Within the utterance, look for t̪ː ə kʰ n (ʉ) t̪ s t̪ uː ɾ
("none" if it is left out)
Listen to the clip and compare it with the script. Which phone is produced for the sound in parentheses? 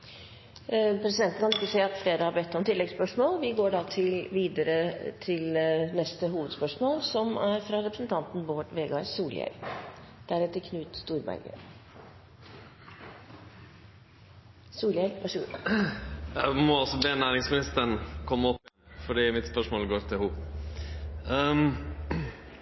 ʉː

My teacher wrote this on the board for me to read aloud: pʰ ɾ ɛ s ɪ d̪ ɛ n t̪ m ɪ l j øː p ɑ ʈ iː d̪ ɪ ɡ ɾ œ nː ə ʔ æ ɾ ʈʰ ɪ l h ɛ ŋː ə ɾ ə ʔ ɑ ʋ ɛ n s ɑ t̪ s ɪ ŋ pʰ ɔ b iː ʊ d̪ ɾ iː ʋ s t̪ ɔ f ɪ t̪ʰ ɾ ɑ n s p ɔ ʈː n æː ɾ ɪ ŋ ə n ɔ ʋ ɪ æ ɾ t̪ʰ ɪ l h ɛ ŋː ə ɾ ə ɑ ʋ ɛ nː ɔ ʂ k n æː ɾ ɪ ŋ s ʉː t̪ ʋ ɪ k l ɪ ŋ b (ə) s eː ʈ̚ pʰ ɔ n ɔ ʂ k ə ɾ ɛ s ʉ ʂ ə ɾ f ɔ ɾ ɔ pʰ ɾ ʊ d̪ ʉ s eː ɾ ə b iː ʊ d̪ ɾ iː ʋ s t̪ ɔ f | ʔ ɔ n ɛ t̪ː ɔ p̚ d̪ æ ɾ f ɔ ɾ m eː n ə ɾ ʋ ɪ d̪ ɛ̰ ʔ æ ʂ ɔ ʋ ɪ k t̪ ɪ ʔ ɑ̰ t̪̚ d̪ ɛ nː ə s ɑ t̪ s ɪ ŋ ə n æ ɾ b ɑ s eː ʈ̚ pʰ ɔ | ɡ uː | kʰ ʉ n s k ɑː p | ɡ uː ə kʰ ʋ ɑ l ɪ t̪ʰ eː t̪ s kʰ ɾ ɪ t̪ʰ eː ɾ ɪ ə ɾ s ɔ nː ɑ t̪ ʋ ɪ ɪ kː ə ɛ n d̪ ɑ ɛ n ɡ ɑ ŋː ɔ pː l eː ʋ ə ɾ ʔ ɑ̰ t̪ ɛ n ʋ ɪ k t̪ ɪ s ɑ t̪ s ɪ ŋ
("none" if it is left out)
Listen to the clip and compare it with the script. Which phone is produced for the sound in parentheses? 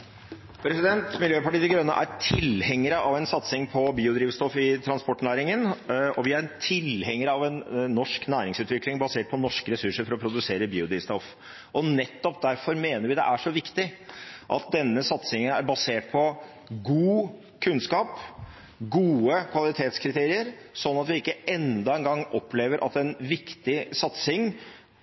ɑ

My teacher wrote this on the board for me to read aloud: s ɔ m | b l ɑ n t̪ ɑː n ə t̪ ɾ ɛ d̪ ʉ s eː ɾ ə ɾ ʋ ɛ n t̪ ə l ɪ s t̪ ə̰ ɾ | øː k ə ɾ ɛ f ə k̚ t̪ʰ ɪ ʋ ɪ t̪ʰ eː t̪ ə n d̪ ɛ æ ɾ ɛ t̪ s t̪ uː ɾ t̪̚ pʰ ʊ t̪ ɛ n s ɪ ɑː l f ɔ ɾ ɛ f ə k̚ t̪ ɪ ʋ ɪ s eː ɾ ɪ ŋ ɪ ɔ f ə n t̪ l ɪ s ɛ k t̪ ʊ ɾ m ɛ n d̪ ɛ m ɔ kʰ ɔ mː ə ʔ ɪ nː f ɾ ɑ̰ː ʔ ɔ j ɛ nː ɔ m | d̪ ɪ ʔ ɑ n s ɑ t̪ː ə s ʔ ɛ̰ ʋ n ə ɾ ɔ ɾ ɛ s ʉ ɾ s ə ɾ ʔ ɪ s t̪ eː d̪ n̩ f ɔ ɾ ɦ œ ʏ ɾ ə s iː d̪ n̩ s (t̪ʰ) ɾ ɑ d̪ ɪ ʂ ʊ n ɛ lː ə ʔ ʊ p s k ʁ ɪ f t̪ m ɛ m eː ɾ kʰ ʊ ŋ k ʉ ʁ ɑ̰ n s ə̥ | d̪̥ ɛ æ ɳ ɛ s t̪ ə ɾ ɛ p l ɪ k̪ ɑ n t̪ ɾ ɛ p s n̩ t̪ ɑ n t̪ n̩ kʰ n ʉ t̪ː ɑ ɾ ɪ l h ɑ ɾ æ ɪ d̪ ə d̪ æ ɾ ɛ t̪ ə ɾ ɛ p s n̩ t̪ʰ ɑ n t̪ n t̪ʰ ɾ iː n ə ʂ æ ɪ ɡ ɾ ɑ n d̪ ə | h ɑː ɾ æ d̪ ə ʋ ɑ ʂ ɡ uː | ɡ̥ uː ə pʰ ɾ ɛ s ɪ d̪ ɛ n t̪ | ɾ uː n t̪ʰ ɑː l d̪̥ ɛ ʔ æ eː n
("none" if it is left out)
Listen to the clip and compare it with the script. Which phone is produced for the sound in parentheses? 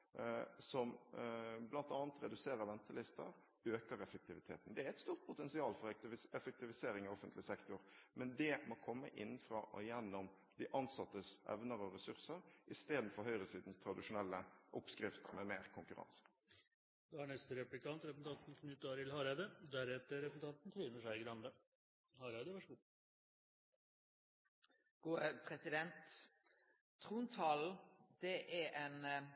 t̪ʰ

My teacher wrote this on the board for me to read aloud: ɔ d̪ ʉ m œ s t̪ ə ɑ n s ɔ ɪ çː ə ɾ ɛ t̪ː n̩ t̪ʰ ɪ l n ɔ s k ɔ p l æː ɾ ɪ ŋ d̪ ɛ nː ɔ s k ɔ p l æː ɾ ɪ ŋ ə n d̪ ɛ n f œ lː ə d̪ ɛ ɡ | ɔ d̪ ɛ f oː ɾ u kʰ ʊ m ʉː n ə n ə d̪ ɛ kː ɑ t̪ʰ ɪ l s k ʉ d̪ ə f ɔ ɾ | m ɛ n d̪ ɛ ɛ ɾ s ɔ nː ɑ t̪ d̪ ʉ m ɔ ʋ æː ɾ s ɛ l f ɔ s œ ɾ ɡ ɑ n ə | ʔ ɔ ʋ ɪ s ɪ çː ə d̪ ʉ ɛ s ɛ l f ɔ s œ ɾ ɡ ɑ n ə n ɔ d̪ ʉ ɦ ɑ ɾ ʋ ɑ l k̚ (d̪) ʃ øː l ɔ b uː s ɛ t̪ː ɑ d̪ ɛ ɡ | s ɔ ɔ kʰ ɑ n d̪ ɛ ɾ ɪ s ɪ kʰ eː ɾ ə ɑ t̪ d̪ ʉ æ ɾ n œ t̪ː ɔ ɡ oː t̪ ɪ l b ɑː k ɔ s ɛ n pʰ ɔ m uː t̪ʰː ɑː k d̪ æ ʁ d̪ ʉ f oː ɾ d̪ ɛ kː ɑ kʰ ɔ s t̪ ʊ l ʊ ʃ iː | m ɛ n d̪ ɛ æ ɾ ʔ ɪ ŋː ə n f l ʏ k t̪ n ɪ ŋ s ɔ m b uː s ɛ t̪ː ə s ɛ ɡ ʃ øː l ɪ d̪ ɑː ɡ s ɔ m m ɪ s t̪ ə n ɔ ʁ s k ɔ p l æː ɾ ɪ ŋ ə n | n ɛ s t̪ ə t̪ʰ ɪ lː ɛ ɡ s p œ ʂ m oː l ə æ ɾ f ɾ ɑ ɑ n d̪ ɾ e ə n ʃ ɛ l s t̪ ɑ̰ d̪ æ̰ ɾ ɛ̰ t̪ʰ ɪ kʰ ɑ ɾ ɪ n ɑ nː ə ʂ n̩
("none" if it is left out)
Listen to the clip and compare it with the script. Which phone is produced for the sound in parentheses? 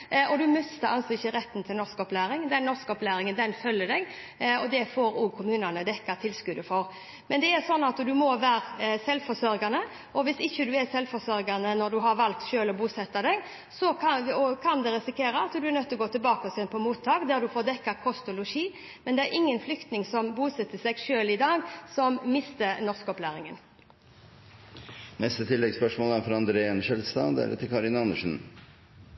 t̪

